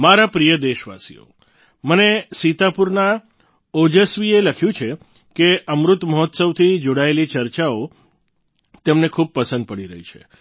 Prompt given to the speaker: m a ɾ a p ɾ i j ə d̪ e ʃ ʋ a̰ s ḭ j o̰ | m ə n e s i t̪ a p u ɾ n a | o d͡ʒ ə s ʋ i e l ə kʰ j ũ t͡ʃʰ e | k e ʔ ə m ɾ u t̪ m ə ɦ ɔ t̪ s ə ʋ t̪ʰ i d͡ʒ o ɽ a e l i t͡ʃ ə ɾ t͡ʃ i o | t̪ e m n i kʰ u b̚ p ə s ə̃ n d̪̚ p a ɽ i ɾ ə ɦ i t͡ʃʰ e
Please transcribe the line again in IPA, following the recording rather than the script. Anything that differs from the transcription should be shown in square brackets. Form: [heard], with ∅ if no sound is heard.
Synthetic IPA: m a ɾ a p ɾ i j ə d̪ e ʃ ʋ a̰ s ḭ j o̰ | m ə n e s i t̪ a p u ɾ n a | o d͡ʒ ə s ʋ i e l ə kʰ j ũ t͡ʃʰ e | k e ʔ ə m ɾ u t̪ m ə ɦ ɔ t̪ s ə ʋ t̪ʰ i d͡ʒ o ɽ a e l i t͡ʃ ə ɾ t͡ʃ [a] o | t̪ e m n [e] kʰ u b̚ p ə s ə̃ n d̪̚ p [ə] ɽ i ɾ ə ɦ i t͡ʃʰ e